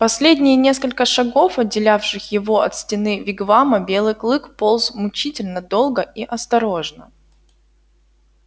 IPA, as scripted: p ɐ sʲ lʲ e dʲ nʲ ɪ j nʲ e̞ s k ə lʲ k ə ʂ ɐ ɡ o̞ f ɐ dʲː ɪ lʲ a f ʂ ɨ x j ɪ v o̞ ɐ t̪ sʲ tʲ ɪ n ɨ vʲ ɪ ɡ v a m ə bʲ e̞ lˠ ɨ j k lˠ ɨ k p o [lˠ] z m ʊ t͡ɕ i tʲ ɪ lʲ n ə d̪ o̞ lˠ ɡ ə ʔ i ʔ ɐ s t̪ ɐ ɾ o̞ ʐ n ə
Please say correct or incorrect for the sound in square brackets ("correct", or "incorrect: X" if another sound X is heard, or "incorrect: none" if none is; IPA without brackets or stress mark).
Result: correct